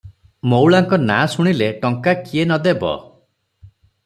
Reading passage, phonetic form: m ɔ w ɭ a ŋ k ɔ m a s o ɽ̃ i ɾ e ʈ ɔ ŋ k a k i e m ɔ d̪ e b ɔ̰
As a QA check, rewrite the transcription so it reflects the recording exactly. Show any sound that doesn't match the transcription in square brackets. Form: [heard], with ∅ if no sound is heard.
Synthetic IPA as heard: m [o] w ɭ a ŋ k ɔ [n] a s [u] ɽ̃ i [l] e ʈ ɔ ŋ k a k i e [n] ɔ d̪ e b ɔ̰